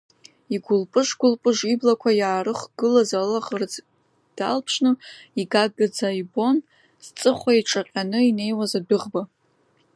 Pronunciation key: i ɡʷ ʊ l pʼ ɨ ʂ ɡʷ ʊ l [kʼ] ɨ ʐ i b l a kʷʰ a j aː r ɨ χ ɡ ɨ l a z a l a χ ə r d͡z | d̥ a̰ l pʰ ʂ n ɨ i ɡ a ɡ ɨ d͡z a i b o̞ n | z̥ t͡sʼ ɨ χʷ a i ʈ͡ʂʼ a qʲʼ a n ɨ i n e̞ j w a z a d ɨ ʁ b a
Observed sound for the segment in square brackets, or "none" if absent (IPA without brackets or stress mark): pʼ